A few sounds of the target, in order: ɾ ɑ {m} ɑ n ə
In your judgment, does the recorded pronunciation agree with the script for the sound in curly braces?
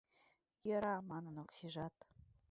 yes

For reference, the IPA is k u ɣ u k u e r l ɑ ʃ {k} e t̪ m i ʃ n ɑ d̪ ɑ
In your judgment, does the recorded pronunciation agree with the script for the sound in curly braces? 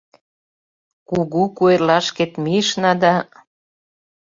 yes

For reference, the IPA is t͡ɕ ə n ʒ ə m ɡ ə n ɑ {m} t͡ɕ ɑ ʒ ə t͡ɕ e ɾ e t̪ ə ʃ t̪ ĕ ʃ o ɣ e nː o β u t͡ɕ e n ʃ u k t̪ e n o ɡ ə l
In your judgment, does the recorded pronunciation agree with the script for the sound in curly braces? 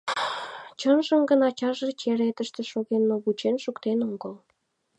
no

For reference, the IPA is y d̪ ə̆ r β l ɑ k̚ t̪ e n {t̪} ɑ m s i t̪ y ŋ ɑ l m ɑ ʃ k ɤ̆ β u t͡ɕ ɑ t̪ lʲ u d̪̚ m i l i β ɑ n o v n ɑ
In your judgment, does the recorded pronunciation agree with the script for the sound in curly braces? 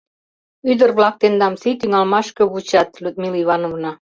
no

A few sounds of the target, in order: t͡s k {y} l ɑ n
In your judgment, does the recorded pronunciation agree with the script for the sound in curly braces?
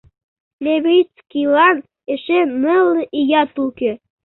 no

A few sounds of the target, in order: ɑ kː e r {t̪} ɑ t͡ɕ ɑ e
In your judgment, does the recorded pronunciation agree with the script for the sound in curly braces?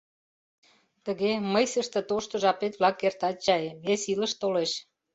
yes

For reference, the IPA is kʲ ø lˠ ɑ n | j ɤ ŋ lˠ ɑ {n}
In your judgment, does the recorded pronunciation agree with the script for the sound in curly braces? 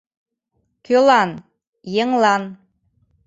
yes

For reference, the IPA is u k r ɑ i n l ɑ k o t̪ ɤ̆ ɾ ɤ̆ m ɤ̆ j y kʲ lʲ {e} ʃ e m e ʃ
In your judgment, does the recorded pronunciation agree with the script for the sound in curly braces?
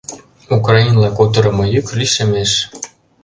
no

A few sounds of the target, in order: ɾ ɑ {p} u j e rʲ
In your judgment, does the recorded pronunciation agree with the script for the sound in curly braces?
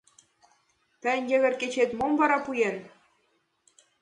yes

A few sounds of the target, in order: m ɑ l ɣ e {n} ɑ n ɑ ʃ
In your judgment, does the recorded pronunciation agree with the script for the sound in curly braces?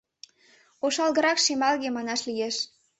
no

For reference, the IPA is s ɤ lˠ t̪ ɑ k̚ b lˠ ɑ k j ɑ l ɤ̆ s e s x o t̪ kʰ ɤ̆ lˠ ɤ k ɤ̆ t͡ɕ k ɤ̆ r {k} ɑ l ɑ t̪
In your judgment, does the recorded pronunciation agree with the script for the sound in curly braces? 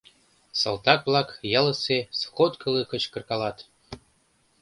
yes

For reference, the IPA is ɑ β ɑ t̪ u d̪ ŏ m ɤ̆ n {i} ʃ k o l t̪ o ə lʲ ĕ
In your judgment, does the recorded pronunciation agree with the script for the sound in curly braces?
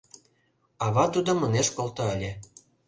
no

